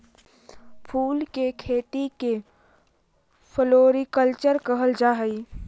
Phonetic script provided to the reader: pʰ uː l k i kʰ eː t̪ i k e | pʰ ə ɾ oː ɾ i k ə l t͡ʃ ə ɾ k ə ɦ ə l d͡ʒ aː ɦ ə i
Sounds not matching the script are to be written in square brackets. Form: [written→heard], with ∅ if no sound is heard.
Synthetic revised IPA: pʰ uː l k [i→e] kʰ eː t̪ i k e | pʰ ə [ɾ→l] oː ɾ i k ə l t͡ʃ ə ɾ k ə ɦ ə l d͡ʒ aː ɦ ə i